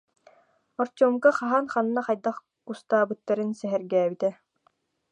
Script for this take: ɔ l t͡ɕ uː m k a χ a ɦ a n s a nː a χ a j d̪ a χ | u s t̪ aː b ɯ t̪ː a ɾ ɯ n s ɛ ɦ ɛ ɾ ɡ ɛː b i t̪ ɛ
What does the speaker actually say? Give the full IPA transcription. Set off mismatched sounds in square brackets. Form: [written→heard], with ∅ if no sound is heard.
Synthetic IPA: ɔ [l→ɾ] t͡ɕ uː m k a χ a ɦ a n [s→χ] a nː a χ a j d̪ a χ | u s t̪ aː b ɯ t̪ː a ɾ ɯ n s ɛ ɦ ɛ ɾ ɡ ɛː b i t̪ ɛ